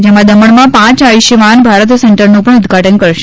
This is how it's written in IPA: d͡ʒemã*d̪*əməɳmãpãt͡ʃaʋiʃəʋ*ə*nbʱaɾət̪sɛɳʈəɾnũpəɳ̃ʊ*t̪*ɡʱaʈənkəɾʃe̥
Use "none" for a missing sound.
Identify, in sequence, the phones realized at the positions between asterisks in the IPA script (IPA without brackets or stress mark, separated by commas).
d̪, a, d̪